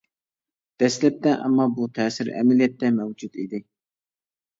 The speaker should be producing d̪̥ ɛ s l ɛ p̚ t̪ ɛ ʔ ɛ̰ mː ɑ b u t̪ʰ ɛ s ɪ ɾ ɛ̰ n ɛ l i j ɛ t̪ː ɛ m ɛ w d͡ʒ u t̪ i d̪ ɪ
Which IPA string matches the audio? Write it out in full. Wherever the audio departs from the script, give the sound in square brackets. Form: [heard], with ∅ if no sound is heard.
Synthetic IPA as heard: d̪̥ ɛ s l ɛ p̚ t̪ ɛ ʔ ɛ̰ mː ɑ b u t̪ʰ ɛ s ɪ ɾ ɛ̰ [m] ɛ l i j ɛ t̪ː ɛ m ɛ w d͡ʒ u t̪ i d̪ ɪ